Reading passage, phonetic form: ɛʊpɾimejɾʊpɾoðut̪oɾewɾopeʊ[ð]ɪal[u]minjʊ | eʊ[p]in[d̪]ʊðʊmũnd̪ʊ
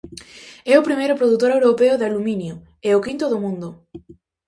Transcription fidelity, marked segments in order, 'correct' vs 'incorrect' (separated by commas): correct, correct, incorrect, incorrect